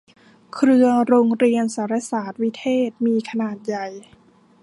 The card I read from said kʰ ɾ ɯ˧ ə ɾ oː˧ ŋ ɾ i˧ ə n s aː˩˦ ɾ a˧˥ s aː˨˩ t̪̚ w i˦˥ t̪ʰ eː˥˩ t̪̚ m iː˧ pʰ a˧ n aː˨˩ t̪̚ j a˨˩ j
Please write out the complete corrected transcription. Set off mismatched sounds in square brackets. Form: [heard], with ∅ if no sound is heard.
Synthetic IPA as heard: kʰ ɾ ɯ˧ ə ɾ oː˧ ŋ ɾ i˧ ə n s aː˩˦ ɾ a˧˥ s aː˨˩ t̪̚ w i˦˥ t̪ʰ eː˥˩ t̪̚ m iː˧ [kʰ] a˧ n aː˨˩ t̪̚ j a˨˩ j